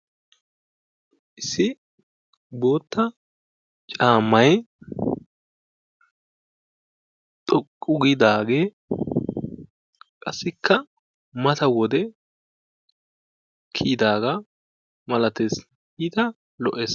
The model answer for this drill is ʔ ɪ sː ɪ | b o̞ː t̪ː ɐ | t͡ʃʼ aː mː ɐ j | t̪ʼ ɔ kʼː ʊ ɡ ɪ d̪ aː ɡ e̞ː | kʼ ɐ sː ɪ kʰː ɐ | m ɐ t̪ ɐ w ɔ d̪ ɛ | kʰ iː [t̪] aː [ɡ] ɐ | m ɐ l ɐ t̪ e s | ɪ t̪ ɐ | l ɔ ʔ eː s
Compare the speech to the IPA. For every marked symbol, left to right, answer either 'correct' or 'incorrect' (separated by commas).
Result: incorrect, correct